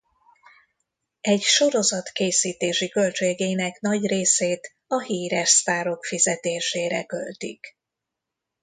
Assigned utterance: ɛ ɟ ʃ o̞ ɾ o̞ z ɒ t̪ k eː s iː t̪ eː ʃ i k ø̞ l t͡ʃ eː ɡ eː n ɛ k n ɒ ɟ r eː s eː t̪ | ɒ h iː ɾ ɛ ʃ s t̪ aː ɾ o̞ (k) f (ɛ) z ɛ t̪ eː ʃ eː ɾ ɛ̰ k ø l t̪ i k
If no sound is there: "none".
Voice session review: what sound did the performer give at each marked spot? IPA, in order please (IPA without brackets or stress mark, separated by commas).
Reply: k, i